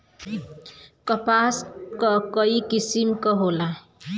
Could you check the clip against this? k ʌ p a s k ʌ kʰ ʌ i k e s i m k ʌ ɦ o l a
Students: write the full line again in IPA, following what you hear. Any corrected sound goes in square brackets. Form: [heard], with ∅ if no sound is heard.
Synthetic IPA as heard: k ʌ p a s k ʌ [k] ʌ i k [i] s i m k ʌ ɦ o l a